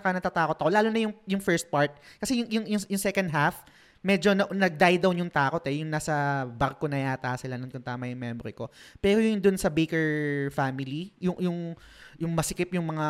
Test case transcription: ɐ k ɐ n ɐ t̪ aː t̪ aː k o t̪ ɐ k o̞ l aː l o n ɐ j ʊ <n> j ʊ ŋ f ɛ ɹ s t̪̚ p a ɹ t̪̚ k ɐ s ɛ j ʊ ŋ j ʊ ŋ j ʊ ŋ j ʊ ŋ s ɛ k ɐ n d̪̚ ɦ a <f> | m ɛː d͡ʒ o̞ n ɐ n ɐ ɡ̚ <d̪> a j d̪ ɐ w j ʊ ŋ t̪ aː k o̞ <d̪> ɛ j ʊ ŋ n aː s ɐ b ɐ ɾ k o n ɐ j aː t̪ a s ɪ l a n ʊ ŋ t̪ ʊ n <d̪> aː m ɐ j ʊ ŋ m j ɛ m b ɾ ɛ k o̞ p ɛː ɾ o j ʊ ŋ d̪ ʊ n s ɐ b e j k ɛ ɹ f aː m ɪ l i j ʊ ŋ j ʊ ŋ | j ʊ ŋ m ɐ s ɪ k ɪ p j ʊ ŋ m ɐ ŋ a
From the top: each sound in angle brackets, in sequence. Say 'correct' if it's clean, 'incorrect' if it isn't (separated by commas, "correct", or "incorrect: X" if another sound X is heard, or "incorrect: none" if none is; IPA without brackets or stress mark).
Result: incorrect: ŋ, correct, correct, incorrect: t̪, incorrect: t̪